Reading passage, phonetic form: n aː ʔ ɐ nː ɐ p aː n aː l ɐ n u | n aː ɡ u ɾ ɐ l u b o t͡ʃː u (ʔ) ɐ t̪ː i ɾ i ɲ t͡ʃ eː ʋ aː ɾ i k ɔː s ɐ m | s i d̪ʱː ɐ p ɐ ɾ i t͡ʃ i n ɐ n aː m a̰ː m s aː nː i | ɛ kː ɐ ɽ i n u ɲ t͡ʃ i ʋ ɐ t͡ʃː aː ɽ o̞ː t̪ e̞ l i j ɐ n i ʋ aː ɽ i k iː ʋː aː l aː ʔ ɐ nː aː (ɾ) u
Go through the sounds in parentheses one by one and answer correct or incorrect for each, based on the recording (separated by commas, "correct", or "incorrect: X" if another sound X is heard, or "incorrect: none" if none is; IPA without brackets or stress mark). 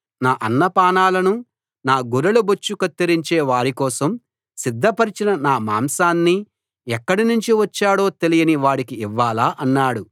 incorrect: k, incorrect: ɽ